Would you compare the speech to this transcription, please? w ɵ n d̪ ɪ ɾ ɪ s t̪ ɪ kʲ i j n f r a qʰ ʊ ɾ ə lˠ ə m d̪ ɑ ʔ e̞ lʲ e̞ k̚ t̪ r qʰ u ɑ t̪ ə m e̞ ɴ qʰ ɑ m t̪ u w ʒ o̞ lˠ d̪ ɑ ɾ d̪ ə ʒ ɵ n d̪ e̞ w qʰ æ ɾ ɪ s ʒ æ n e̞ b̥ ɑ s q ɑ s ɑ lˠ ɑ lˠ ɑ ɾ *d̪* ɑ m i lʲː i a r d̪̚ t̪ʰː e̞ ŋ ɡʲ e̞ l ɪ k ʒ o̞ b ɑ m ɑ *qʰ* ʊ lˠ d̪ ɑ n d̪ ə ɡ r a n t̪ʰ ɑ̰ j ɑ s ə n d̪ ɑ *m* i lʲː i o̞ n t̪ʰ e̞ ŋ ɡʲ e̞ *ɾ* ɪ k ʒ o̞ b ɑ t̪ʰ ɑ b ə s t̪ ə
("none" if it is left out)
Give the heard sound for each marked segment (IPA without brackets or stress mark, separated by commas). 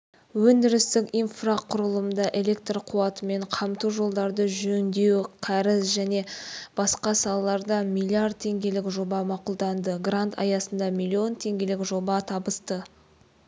d̪, q, m, l